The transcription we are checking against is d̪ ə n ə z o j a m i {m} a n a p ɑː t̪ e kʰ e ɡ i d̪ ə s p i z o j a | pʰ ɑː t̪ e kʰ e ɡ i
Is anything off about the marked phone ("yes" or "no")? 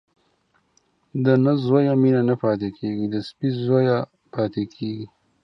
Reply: yes